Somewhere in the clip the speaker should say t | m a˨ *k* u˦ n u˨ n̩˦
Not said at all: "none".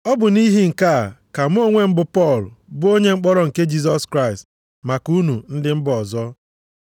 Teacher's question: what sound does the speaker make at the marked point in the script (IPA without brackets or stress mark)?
k